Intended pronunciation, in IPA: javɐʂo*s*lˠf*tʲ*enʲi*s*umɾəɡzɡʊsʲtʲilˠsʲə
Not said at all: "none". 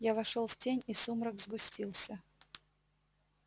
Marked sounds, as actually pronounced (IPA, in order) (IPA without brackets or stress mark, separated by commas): none, tʲ, s